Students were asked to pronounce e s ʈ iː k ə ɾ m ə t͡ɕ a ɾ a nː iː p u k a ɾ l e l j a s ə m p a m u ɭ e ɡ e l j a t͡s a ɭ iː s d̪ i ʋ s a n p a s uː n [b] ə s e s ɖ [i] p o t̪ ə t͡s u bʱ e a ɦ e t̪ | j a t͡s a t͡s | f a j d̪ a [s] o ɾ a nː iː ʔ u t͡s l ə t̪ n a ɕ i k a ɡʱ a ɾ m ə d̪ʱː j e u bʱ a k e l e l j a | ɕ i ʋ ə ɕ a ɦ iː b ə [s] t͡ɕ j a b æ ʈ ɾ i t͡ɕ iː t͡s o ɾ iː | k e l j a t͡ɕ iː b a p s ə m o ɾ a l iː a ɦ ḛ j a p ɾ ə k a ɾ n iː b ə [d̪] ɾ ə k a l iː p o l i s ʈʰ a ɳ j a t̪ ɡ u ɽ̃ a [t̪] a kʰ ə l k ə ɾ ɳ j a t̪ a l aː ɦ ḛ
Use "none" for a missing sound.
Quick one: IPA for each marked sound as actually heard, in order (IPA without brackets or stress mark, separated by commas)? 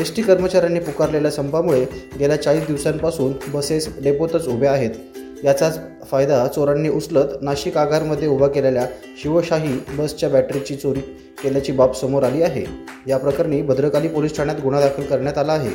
b, e, t͡s, s, d̪, d̪